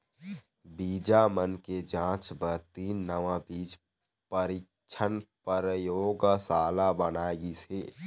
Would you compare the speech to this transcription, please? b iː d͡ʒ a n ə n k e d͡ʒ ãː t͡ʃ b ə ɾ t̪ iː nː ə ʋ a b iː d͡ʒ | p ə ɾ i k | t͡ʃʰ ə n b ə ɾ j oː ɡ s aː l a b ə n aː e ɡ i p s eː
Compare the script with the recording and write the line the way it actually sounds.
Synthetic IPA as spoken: b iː d͡ʒ a m ə n k e d͡ʒ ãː t͡ʃ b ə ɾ t̪ iː nː ə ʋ a b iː d͡ʒ | p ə ɾ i k | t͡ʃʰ ə n p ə ɾ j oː ɡ s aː l a b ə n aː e ɡ i s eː